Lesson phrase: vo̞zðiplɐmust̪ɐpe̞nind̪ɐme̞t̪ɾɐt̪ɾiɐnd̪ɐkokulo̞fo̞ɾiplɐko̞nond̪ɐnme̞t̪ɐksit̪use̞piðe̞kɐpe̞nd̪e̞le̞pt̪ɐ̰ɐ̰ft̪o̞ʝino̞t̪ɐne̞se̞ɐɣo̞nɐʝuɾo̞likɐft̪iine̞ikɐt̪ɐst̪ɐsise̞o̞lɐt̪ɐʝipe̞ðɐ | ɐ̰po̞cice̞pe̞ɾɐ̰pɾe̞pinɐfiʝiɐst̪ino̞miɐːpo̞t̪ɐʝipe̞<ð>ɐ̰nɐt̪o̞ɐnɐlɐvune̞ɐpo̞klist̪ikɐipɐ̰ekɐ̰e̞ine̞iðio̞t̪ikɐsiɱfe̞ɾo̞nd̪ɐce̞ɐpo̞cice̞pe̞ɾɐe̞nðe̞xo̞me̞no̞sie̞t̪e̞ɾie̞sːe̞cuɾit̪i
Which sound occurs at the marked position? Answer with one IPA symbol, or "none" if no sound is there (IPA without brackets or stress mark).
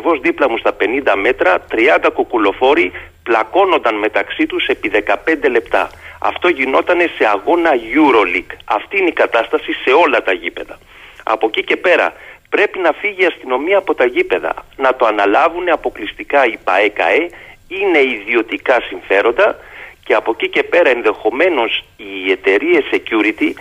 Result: ð